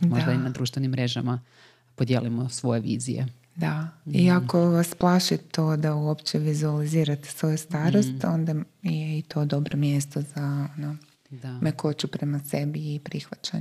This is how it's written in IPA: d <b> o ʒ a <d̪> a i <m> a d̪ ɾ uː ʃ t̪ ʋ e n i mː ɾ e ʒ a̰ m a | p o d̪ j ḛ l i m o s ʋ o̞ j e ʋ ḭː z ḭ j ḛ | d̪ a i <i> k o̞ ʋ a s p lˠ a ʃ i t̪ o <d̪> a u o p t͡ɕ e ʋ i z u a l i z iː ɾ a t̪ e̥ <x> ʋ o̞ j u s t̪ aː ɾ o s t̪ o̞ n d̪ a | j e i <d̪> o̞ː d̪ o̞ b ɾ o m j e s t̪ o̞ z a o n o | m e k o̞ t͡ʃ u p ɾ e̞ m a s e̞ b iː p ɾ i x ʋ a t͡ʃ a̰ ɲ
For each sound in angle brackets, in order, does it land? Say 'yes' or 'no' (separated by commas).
no, yes, no, no, yes, no, no